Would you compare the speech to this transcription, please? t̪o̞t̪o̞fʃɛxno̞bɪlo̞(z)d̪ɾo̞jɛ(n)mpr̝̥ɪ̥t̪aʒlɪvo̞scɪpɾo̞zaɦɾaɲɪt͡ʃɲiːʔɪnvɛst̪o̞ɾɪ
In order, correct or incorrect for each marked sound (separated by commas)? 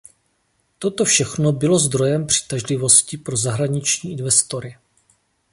correct, incorrect